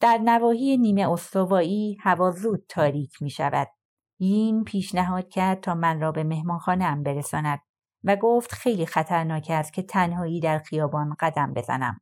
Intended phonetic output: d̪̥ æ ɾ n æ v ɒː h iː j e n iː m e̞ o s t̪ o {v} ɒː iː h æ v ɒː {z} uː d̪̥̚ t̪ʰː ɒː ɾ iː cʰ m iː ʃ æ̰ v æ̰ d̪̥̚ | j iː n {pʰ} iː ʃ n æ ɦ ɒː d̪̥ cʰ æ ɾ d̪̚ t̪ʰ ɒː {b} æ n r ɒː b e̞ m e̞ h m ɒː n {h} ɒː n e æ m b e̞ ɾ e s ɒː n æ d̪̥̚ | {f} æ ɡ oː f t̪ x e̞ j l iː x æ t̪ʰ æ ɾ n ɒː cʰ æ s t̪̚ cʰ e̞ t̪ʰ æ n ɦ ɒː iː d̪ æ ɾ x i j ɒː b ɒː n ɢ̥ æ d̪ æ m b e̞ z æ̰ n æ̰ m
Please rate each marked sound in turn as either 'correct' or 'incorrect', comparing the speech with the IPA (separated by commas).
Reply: correct, correct, correct, incorrect, incorrect, incorrect